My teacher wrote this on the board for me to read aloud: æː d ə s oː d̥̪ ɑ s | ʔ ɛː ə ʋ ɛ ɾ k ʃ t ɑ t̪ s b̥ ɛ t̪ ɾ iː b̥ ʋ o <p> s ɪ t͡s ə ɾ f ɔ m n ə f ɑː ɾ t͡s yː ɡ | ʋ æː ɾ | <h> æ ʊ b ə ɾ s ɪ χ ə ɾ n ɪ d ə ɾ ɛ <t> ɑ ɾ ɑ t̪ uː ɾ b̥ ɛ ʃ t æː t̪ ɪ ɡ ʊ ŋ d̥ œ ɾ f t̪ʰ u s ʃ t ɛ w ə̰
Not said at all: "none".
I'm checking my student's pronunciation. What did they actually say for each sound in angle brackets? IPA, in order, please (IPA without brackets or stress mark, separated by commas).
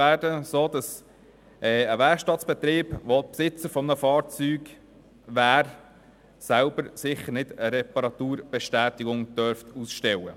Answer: p, s, p